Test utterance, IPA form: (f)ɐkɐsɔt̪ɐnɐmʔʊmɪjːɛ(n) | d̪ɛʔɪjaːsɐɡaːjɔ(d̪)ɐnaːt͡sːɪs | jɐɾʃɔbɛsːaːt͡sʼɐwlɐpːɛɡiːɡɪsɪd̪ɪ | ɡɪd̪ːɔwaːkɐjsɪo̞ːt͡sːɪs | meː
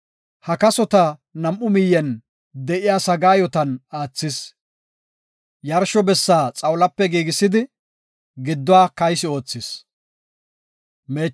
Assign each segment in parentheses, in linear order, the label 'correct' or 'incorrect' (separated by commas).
incorrect, correct, incorrect